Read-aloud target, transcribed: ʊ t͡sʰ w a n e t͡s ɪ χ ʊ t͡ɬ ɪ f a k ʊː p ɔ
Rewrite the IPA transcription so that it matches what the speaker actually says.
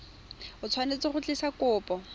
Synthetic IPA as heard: ʊ t͡sʰ w a n e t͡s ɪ χ ʊ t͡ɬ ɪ s a k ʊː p ɔ